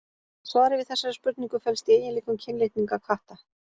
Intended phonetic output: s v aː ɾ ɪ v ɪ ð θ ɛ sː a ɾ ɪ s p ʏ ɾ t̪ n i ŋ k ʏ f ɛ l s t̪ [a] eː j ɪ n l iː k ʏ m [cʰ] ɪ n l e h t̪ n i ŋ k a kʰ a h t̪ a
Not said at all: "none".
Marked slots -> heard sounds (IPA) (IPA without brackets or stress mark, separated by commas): i, cʰ